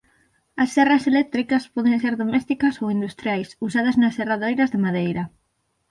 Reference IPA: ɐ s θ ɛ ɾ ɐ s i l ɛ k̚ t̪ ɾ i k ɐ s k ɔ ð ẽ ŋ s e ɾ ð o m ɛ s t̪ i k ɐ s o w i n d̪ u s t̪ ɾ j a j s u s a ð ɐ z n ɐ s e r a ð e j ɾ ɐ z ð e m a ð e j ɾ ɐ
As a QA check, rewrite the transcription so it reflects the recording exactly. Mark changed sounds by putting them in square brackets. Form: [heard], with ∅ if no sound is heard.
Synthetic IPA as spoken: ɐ s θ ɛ [r] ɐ s [e] l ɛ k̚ t̪ ɾ i k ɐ s [p] ɔ ð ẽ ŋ s e ɾ ð o m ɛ s t̪ i k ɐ s o w i n d̪ u s t̪ ɾ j a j s u s a ð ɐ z n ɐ s e r a ð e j ɾ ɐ z ð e m a ð e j ɾ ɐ

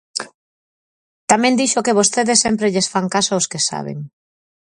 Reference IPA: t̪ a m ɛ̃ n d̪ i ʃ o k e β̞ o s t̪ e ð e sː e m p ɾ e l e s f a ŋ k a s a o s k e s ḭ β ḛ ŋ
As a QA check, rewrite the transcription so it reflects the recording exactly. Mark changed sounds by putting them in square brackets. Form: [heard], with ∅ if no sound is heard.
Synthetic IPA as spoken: t̪ a m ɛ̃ n d̪ i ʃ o k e β̞ o s t̪ e ð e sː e m p ɾ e [ʎ] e s f a ŋ k a s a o s k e s [a̰] β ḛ ŋ

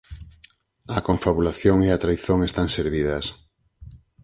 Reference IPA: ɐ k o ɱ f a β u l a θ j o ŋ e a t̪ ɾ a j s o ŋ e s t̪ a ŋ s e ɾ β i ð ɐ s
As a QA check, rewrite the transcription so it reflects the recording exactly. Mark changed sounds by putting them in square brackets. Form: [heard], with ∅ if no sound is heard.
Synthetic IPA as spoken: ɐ k o ɱ f a β u l a θ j o ŋ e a t̪ ɾ a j [θ] o ŋ e s t̪ a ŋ s e ɾ β i ð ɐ s

